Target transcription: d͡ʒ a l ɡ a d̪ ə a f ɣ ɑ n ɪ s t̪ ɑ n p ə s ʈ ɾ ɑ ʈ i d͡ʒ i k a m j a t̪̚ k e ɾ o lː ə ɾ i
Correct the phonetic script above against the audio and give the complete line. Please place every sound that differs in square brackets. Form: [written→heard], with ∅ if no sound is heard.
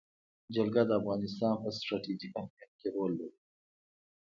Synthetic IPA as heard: d͡ʒ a l ɡ a d̪ ə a f ɣ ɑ n ɪ s t̪ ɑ n p ə s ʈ ɾ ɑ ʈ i d͡ʒ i k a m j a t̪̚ k e ɾ o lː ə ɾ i